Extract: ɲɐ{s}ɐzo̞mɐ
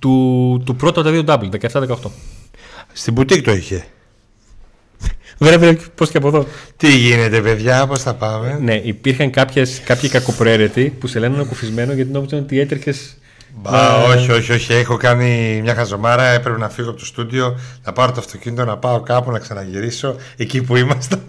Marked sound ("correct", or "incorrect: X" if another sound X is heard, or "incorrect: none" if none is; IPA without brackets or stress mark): incorrect: x